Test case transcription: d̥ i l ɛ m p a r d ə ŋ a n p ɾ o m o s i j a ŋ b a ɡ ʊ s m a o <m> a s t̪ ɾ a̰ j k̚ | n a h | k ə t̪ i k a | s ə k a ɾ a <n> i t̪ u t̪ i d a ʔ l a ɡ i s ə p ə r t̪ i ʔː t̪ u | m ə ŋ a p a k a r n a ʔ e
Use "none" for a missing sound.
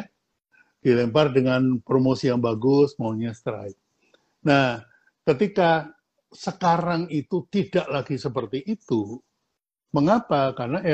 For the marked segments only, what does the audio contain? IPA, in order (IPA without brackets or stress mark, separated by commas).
ɲ, ŋ